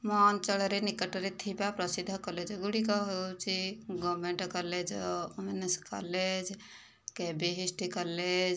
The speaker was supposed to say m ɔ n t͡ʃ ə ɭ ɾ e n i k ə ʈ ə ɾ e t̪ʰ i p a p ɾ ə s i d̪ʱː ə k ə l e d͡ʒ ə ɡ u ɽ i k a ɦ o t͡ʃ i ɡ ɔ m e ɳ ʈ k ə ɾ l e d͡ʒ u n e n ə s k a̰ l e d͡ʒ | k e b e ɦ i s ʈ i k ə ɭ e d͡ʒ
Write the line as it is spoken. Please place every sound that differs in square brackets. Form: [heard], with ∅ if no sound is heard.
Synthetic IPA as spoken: m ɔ n t͡ʃ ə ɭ ɾ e n i k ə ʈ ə ɾ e t̪ʰ i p a p ɾ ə s i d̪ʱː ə k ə l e d͡ʒ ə ɡ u ɽ i k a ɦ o t͡ʃ i ɡ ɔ m e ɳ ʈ k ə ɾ l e d͡ʒ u [m] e n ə s k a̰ l e d͡ʒ | k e b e ɦ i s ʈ i k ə [l] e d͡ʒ